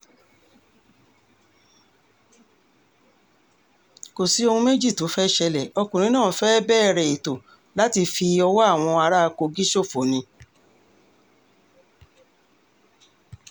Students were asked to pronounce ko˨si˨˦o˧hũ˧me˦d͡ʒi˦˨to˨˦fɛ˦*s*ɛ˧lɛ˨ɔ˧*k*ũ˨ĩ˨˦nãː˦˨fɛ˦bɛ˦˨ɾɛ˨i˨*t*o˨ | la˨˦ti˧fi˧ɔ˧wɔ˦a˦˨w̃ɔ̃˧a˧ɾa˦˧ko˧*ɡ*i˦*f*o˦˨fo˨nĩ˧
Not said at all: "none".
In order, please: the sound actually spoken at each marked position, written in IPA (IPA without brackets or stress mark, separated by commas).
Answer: ʃ, k, t, ɡ, ʃ